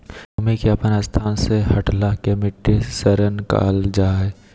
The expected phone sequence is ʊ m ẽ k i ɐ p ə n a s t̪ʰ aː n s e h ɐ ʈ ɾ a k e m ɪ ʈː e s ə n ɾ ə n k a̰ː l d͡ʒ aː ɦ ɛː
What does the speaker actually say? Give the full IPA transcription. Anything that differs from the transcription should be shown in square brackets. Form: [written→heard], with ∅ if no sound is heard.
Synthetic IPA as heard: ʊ m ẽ k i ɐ p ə n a s t̪ʰ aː n s e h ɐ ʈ [ɾ→l] a k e m ɪ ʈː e s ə [n→∅] ɾ ə n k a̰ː l d͡ʒ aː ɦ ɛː

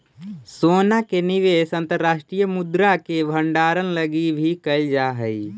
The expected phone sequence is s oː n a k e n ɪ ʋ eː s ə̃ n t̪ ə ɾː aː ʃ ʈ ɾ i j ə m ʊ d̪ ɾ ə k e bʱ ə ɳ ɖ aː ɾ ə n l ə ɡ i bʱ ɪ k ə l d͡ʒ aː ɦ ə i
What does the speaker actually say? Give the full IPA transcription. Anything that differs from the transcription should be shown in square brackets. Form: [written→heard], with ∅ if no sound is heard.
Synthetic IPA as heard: s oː n a k e n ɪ ʋ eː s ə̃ n t̪ ə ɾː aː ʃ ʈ ɾ i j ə m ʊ d̪ ɾ [ə→a] k e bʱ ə ɳ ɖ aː ɾ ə n l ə ɡ i bʱ [ɪ→i] k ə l d͡ʒ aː ɦ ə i

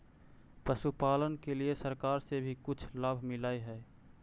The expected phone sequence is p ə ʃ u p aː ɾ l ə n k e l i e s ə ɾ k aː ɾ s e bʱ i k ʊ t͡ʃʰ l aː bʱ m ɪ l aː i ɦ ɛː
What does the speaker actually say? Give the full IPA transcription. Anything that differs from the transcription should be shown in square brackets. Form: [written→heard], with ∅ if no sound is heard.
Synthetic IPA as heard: p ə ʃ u p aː [ɾ→∅] l ə n k e l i e s ə ɾ k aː ɾ s e bʱ i k ʊ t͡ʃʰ l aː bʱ m ɪ l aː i ɦ ɛː

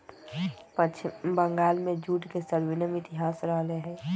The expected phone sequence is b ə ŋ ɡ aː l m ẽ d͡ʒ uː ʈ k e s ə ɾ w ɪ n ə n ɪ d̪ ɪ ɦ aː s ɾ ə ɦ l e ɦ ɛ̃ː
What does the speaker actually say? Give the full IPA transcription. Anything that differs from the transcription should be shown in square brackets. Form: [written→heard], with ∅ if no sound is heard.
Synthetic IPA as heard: b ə ŋ ɡ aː l m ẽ d͡ʒ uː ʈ k e s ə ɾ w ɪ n ə [n→m] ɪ [d̪→t̪] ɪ ɦ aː s ɾ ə ɦ l e ɦ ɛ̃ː

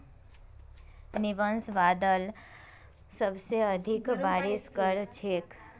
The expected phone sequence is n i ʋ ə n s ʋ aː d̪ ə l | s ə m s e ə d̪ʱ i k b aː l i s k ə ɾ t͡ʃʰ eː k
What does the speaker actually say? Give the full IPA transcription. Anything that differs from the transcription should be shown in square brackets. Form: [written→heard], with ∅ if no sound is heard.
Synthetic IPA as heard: n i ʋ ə n s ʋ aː d̪ ə l | s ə [m→b] s e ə d̪ʱ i k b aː [l→ɾ] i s k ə ɾ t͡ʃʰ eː k

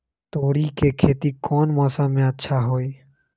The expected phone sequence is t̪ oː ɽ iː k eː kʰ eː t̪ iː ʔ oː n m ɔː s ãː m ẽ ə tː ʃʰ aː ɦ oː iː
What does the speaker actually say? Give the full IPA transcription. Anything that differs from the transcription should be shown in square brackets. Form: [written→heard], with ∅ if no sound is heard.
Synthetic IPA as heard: t̪ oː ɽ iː k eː kʰ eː t̪ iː [ʔ→k] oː n m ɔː s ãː m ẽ ə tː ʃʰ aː ɦ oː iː

